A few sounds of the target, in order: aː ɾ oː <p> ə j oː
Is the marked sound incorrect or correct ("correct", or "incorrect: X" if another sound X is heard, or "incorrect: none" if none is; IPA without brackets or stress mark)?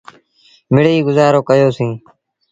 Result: incorrect: k